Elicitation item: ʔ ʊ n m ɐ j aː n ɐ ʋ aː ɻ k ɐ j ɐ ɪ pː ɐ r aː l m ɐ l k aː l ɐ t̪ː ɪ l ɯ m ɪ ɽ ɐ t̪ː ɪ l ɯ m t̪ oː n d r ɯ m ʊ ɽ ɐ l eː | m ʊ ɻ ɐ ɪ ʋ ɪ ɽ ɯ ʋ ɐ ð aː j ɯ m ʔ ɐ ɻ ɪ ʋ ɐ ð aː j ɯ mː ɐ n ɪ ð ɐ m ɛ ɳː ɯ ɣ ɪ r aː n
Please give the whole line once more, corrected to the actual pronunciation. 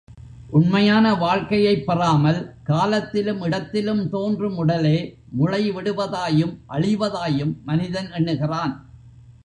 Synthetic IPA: ʔ ʊ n m ɐ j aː n ɐ ʋ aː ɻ k ɐ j ɐ ɪ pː ɐ r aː m ɐ l k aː l ɐ t̪ː ɪ l ɯ m ɪ ɽ ɐ t̪ː ɪ l ɯ m t̪ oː n d r ɯ m ʊ ɽ ɐ l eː | m ʊ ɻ ɐ ɪ ʋ ɪ ɽ ɯ ʋ ɐ ð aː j ɯ m ʔ ɐ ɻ ɪ ʋ ɐ ð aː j ɯ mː ɐ n ɪ ð ɐ n ɛ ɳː ɯ ɣ ɪ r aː n